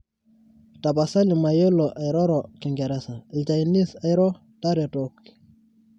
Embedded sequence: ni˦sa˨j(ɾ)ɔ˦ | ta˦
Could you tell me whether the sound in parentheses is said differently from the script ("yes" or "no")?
no